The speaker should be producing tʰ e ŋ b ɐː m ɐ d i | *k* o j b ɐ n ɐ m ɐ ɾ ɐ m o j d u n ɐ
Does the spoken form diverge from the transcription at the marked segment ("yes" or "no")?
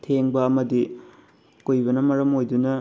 no